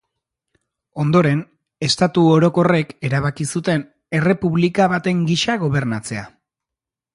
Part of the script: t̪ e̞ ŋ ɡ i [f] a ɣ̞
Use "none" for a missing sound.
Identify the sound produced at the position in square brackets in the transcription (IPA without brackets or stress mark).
ʃ